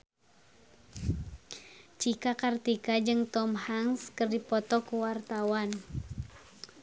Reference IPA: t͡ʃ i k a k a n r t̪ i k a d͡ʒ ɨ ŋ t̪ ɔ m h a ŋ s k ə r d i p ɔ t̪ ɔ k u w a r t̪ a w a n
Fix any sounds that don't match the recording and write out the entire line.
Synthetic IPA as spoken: t͡ʃ i k a k a r t̪ i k a d͡ʒ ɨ ŋ t̪ ɔ m h a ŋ s k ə r d i p ɔ t̪ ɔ k u w a r t̪ a w a n

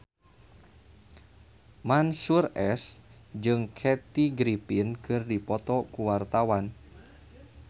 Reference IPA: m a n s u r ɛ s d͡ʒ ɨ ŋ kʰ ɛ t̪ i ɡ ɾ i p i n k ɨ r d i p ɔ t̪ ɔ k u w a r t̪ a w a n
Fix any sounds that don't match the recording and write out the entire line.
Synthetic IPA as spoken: m a n s u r ɛ s d͡ʒ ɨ ŋ kʰ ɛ t̪ i ɡ ɾ i p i n k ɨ r d i p ɔ t̪ ɔ k u w a r t̪ a w a n

